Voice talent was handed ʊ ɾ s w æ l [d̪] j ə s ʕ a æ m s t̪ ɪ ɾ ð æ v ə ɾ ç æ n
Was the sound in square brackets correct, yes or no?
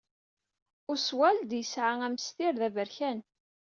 yes